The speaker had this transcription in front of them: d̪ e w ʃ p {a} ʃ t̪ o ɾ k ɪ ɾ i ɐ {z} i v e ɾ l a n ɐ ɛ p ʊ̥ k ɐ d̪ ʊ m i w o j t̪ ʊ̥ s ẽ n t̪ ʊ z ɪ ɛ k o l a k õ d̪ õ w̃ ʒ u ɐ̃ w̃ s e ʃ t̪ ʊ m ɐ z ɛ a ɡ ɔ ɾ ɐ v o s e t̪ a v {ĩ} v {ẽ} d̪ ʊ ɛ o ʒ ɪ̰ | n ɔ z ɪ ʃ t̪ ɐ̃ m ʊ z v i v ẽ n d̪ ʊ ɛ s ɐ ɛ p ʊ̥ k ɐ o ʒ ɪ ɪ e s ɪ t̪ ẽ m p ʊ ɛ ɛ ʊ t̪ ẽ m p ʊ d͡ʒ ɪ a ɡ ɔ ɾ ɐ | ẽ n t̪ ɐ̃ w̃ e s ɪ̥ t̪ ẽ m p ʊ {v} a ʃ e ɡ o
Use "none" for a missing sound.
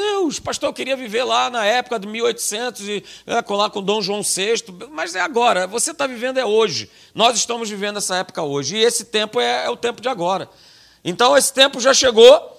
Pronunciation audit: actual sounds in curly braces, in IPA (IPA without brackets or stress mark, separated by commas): a, v, i, ẽ, ʒ